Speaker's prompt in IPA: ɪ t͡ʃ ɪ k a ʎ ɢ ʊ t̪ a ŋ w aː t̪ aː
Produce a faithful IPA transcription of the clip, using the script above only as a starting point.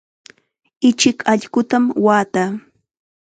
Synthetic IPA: ɪ t͡ʃ ɪ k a ʎ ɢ ʊ t̪ a m w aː t̪ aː